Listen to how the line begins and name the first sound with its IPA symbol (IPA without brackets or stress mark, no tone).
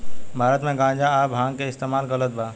bʱ